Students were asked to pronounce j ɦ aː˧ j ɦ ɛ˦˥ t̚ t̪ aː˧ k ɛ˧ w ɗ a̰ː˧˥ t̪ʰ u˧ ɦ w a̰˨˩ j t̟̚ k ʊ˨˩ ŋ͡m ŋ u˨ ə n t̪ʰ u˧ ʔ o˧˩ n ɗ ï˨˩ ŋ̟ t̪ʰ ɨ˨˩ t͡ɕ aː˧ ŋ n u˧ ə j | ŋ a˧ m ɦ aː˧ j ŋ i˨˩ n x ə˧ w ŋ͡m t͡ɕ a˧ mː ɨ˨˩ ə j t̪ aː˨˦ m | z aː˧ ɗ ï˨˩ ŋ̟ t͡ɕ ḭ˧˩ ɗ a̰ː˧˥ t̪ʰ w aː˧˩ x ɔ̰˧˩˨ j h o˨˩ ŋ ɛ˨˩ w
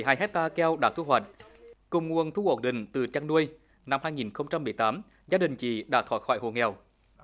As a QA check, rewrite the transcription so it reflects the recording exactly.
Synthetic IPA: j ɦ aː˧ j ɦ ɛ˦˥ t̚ t̪ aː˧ k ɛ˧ w ɗ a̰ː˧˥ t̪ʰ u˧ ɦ w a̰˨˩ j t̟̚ k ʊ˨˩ ŋ͡m ŋ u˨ ə n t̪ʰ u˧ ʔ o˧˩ n ɗ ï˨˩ ŋ̟ t̪ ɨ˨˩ t͡ɕ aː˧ ŋ n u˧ ə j | n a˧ m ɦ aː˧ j ŋ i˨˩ n x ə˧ w ŋ͡m t͡ɕ a˧ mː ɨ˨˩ ə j t̪ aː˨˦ m | z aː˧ ɗ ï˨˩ ŋ̟ t͡ɕ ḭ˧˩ ɗ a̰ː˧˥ t̪ʰ w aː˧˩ x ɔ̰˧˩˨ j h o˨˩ ŋ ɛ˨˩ w